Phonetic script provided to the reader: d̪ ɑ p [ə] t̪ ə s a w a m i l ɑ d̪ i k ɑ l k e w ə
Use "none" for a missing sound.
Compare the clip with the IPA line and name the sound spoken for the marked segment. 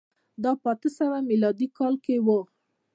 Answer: ɑ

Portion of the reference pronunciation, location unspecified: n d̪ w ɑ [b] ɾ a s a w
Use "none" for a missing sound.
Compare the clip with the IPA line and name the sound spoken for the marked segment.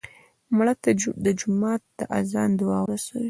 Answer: w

